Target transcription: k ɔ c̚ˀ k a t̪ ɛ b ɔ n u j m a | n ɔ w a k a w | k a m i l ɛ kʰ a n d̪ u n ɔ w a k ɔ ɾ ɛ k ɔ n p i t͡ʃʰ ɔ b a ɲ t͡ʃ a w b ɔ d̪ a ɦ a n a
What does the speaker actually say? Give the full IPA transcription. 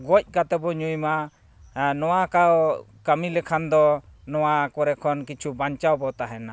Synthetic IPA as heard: ɡ ɔ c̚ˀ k a t̪ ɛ b ɔ ɲ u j m a | n ɔ w a k a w | k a m i l ɛ kʰ a n d̪ ɔ n ɔ w a k ɔ ɾ ɛ kʰ ɔ n k i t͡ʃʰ u b a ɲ t͡ʃ a w b ɔ t̪ a ɦ ɛ n a